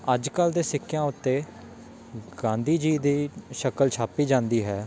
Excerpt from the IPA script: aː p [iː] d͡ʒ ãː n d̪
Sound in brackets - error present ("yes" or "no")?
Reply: no